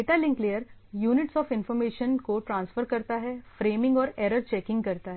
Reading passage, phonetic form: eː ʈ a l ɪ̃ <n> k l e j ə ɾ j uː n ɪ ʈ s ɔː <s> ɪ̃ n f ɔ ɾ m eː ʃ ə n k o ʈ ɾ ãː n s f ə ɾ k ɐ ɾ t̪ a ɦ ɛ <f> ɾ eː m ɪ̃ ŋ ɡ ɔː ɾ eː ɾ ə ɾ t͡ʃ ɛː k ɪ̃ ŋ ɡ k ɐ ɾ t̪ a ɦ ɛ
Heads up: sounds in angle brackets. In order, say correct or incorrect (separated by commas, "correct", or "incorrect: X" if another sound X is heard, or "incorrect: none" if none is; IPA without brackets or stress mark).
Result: incorrect: ŋ, incorrect: f, correct